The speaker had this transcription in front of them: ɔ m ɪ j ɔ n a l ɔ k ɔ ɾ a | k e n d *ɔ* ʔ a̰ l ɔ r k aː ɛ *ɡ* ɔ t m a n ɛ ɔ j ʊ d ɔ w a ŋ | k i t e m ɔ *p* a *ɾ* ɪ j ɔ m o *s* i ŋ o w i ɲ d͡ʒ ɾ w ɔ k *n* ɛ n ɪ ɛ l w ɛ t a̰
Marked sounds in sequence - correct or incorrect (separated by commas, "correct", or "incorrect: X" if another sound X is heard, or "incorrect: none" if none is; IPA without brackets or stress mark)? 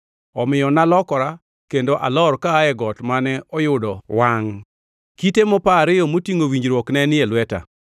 incorrect: o, correct, correct, correct, incorrect: t, correct